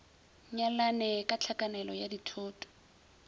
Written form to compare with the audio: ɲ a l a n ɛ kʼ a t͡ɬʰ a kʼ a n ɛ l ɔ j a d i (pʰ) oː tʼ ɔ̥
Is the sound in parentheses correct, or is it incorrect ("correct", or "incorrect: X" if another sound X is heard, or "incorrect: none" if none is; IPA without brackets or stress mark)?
incorrect: tʰ